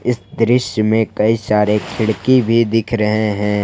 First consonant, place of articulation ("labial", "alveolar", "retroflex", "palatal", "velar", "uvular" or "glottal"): alveolar